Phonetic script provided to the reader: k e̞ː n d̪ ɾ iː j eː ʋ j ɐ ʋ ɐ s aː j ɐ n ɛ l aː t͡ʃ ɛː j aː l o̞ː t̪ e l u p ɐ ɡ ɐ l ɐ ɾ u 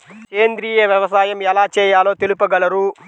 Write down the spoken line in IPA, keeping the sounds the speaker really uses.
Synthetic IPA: k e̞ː n d̪ ɾ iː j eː ʋ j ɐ ʋ ɐ s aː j ɐ m ɛ l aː t͡ʃ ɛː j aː l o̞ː t̪ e l u p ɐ ɡ ɐ l ɐ ɾ u

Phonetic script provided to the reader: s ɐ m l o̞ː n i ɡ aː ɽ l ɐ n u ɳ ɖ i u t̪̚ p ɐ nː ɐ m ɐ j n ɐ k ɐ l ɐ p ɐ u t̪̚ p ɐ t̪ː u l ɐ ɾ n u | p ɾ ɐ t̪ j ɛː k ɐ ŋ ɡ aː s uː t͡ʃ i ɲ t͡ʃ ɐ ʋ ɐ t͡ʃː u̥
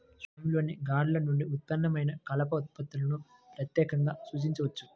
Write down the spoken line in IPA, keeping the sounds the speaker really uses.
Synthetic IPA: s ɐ m l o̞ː n i ɡ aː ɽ l ɐ n u ɳ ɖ i u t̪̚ p ɐ nː ɐ m ɐ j n ɐ k ɐ l ɐ p ɐ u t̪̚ p ɐ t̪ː u l ɐ n u | p ɾ ɐ t̪ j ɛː k ɐ ŋ ɡ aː s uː t͡ʃ i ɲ t͡ʃ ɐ ʋ ɐ t͡ʃː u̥

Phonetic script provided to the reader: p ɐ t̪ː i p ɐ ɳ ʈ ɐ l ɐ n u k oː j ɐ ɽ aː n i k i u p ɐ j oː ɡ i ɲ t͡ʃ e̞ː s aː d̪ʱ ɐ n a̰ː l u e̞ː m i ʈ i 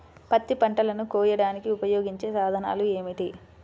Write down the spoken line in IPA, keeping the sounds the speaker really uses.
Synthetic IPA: p ɐ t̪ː i p ɐ ɳ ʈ ɐ l ɐ n u k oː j ɐ ɽ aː n i k i u p ɐ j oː ɡ i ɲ t͡ʃ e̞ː s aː d̪ʱ ɐ n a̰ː l u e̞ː m i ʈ i

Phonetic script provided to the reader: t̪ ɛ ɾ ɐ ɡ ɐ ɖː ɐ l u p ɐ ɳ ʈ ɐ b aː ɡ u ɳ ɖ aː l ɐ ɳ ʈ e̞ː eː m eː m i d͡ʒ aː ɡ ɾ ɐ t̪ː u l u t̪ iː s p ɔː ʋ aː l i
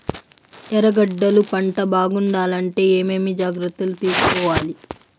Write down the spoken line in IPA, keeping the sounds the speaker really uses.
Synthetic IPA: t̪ ɛ ɾ ɐ ɡ ɐ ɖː ɐ l u p ɐ ɳ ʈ ɐ b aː ɡ u ɳ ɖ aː l ɐ ɳ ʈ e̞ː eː m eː m i d͡ʒ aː ɡ ɾ ɐ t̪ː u l u t̪ iː s k ɔː ʋ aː l i

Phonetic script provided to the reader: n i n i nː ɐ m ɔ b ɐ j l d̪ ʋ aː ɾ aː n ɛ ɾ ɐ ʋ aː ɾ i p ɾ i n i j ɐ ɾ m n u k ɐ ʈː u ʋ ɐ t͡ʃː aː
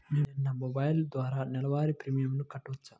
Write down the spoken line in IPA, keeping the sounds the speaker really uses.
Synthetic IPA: n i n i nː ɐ m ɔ b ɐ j l d̪ ʋ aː ɾ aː n ɛ l ɐ ʋ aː ɾ i p ɾ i m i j ɐ m n u k ɐ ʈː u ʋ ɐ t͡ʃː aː

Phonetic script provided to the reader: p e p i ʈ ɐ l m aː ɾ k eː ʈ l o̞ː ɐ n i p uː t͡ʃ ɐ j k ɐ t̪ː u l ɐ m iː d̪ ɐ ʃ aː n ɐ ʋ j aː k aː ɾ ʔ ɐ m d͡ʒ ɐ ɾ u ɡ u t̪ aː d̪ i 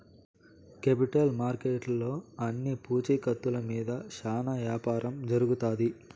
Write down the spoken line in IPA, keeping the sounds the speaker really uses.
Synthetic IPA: k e p i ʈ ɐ l m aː ɾ k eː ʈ l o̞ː ɐ nː i p uː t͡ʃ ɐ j k ɐ t̪ː u l ɐ m iː d̪ ɐ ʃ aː n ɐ ʋ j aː p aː ɾ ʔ ɐ m d͡ʒ ɐ ɾ u ɡ u t̪ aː d̪ i

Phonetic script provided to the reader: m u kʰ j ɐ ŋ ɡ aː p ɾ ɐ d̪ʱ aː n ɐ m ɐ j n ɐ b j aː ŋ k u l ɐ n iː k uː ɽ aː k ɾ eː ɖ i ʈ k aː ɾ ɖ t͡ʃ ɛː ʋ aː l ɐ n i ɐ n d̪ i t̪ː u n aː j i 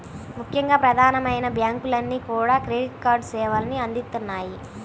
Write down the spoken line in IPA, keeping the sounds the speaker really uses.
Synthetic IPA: m u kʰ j ɐ ŋ ɡ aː p ɾ ɐ d̪ʱ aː n ɐ m ɐ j n ɐ b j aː ŋ k u l ɐ nː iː k uː ɽ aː k ɾ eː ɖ i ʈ k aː ɾ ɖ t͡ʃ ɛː ʋ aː l ɐ n i ɐ n d̪ i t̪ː u nː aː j i

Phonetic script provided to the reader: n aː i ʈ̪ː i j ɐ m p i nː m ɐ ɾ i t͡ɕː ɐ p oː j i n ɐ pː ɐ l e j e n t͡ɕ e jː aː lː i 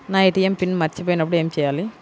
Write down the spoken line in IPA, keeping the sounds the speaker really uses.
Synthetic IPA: n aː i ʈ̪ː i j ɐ m p i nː m ɐ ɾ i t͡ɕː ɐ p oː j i n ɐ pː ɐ ɽ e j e m t͡ɕ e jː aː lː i

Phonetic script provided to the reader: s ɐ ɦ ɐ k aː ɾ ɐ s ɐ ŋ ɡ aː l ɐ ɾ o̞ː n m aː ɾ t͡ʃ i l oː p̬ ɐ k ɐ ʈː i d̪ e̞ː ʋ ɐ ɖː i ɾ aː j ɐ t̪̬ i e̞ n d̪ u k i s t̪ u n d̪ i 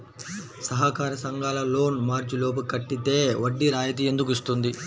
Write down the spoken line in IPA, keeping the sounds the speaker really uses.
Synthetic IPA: s ɐ ɦ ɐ k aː ɾ ɐ s ɐ ŋ ɡ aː l ɐ l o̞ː n m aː ɾ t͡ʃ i l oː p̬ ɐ k ɐ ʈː i t̪ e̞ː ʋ ɐ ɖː i ɾ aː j ɐ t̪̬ i e̞ n d̪ u k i s t̪ u n d̪ i

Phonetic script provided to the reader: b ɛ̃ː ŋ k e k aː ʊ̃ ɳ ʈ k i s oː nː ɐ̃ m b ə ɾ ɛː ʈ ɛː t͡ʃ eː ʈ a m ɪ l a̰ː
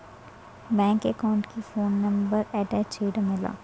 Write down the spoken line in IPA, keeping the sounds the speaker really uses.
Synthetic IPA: b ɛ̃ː ŋ k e k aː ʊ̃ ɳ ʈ k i f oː nː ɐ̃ m b ə ɾ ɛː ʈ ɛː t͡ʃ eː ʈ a m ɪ l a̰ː

